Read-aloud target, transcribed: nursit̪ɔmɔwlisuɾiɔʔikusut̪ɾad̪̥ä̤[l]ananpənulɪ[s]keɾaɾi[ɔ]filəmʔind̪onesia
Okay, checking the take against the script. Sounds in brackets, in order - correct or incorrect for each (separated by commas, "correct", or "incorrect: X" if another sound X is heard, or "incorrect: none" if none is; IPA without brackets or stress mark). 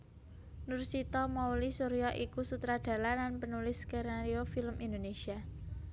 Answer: correct, correct, incorrect: o